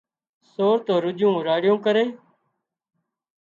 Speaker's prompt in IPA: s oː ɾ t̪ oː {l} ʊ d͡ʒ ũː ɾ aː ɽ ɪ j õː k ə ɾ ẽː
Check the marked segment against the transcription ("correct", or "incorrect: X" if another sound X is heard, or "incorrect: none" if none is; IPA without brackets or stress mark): incorrect: ɾ